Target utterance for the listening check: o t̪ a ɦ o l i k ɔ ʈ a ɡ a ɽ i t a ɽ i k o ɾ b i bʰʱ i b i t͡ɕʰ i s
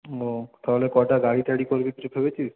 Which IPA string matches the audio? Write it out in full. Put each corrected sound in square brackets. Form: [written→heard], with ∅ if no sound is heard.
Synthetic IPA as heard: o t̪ a ɦ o l [i→e] k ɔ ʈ a ɡ a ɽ i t a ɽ i k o ɾ b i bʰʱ [i→e] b [i→e] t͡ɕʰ i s